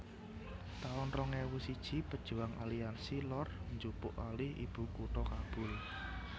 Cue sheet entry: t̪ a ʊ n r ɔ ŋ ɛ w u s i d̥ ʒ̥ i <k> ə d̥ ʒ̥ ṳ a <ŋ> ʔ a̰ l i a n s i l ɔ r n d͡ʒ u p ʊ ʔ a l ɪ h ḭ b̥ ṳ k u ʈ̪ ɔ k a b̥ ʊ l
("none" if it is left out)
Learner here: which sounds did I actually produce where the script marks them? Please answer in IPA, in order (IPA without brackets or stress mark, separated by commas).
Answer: p, ŋ